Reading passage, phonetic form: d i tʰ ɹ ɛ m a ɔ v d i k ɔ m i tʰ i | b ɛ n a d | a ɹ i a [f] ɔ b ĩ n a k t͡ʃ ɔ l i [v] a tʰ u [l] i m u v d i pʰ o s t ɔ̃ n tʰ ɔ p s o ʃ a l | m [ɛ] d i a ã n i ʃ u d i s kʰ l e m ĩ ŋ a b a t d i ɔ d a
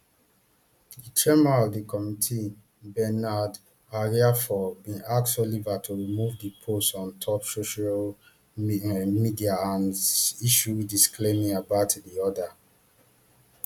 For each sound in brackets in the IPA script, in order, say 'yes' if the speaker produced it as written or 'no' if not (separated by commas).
yes, yes, no, no